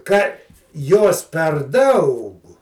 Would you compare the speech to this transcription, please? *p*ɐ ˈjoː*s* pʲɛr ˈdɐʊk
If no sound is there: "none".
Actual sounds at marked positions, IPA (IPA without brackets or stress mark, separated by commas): k, s